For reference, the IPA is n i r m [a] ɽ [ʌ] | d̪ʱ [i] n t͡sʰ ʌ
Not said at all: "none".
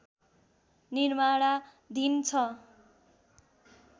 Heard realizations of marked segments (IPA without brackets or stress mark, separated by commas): a, a, i